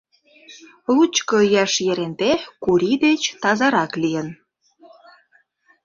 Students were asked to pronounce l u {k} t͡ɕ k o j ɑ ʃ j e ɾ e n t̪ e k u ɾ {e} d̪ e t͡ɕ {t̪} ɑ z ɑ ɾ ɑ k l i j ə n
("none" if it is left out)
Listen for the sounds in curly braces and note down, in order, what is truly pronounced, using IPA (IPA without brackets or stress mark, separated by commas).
none, i, t̪